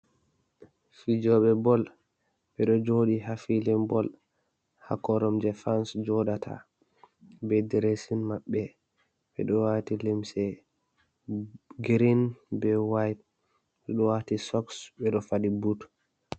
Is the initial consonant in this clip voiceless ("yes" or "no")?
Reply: yes